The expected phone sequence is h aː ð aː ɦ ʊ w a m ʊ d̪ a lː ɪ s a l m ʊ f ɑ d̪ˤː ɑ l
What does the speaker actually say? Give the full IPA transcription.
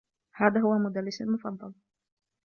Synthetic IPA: h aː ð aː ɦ ʊ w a m ʊ d̪ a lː ɪ s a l m ʊ f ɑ d̪ˤː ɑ l

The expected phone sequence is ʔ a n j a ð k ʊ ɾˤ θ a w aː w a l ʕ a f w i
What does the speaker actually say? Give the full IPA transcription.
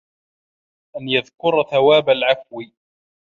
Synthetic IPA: ʔ a n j a ð k ʊ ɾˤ θ a w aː b a l ʕ a f w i

